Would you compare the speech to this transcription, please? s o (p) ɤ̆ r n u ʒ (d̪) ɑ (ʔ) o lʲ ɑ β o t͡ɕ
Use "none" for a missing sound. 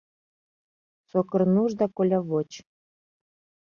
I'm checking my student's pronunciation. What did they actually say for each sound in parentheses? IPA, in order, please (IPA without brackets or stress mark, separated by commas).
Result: k, d̪, k